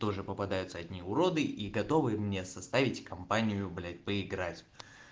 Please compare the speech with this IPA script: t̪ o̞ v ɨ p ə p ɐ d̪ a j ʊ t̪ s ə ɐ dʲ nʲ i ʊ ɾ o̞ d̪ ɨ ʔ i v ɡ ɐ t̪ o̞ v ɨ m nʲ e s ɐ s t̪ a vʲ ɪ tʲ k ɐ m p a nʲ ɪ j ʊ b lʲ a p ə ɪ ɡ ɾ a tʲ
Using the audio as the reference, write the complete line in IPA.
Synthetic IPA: t̪ o̞ ʐ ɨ p ə p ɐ d̪ a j ʊ t̪ s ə ɐ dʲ nʲ i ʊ ɾ o̞ d̪ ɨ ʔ i ɡ ɐ t̪ o̞ v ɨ m nʲ e s ɐ s t̪ a vʲ ɪ tʲ k ɐ m p a nʲ ɪ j ʊ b lʲ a p ə ɪ ɡ ɾ a tʲ